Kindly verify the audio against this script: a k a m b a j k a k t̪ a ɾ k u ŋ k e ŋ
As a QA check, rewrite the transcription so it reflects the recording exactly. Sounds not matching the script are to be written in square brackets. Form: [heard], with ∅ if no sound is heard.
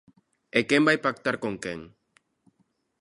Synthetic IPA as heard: [e] k [e] m b a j [p] a k t̪ a ɾ k [o] ŋ k e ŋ